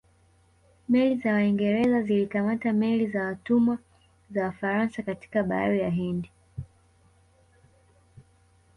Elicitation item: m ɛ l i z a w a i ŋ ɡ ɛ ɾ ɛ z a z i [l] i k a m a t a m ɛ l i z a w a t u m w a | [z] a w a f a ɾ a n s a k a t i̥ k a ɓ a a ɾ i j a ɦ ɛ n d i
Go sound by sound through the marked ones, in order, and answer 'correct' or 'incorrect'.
correct, correct

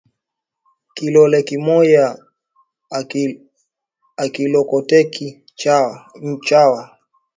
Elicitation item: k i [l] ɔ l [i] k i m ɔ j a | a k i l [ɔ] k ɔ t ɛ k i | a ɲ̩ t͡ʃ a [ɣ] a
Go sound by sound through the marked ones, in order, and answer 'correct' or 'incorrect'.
correct, incorrect: ɛ, correct, incorrect: w

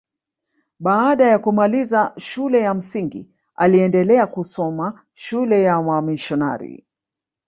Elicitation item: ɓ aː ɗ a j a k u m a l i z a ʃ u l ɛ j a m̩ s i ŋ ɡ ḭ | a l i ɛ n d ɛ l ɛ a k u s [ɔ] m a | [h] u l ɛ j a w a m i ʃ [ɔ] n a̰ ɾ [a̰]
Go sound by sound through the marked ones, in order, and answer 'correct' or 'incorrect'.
correct, incorrect: ʃ, correct, incorrect: ḭ

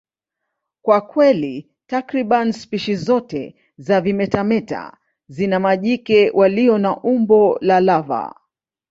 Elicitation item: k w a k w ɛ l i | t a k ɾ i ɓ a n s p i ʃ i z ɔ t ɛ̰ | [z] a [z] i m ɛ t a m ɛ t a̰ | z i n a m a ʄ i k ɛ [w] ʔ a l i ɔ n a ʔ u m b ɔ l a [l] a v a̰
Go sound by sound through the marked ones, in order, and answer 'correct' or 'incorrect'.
correct, incorrect: v, correct, correct

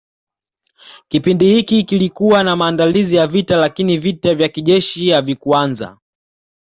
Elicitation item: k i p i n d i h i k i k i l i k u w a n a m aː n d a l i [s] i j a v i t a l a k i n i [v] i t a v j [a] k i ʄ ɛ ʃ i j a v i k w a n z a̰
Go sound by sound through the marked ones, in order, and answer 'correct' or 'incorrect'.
incorrect: z, correct, correct

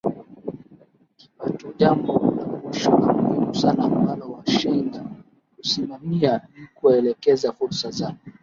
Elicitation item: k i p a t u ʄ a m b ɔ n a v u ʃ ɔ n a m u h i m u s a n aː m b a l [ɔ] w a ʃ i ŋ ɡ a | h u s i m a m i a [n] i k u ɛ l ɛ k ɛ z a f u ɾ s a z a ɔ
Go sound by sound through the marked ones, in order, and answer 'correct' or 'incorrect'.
correct, correct

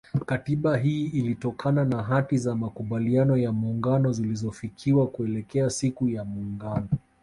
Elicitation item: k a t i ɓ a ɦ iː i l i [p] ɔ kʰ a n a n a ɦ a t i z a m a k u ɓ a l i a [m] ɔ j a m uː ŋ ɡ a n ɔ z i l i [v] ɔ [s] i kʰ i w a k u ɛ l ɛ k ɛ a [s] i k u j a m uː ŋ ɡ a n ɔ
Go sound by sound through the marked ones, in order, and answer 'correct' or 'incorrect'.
incorrect: t, incorrect: n, incorrect: z, incorrect: f, correct

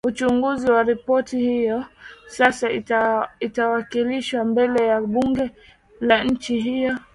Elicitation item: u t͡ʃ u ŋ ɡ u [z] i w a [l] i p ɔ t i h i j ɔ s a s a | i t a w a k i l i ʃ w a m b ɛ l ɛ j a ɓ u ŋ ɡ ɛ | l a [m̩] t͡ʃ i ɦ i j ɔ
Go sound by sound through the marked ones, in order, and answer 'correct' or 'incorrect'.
correct, incorrect: ɾ, incorrect: ɲ̩

